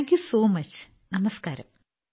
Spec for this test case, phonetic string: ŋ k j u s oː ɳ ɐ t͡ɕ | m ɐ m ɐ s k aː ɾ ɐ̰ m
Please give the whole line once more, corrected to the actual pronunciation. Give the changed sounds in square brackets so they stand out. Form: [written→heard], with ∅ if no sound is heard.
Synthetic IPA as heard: ŋ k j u s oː [ɳ→m] ɐ t͡ɕ | [m→n] ɐ m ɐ s k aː ɾ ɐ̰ m